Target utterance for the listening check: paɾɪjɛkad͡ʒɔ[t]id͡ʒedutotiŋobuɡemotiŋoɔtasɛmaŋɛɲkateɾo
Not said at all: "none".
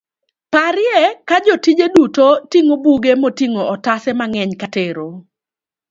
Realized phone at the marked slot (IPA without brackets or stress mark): t